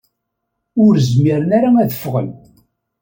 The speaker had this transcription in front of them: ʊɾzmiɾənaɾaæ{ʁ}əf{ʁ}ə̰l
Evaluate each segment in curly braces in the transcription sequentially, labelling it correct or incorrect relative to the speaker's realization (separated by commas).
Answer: incorrect, correct